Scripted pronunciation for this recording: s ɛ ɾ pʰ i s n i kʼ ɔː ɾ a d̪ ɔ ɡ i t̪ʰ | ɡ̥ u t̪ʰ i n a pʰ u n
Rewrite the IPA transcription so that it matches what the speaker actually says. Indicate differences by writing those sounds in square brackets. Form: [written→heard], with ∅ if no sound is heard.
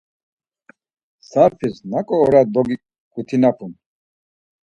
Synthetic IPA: s [ɛ→a] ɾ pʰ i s n [i→a] kʼ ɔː ɾ a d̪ ɔ ɡ i [t̪ʰ→∅] | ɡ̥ u t̪ʰ i n a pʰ u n